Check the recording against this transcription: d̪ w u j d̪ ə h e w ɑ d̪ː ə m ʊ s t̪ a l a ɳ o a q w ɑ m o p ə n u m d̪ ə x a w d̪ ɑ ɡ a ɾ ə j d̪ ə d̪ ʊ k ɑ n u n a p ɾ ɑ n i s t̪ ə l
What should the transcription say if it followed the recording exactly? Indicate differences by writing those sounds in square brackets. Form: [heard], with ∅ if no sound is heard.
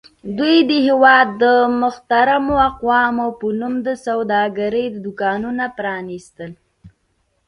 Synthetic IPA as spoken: d̪ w u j d̪ ə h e w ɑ d̪ː ə m ʊ [x] t̪ a [ɾ] a [m] o a q w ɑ m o p ə n u m d̪ ə [s] a w d̪ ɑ ɡ a ɾ ə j d̪ ə d̪ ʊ k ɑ n u n a p ɾ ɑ n i s t̪ ə l